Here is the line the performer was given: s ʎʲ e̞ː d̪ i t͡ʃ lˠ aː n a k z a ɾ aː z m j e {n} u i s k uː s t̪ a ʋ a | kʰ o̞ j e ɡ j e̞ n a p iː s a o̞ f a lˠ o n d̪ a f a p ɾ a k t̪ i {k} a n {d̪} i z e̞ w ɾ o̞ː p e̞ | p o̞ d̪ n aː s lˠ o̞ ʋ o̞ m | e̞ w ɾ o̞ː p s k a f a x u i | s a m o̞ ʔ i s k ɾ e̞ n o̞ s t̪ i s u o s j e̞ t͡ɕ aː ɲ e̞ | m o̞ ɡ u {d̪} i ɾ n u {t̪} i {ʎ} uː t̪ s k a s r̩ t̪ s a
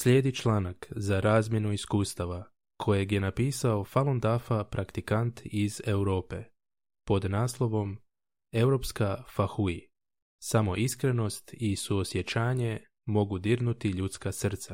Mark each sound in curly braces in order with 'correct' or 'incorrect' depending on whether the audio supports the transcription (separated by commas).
correct, correct, incorrect, correct, correct, correct